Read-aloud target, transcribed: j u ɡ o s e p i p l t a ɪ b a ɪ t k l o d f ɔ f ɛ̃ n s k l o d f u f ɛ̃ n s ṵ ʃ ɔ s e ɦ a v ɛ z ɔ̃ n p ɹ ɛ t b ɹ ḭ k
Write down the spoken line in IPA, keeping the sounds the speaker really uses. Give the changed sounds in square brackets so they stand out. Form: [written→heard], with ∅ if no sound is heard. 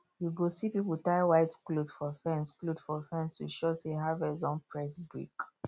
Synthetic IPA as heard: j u ɡ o s [e→i] p i p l t a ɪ [b→w] a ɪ t k l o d f ɔ f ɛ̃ n s k l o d f [u→ɔ] f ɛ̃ n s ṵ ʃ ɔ s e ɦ a v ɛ z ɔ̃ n p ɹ ɛ [t→s] b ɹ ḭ k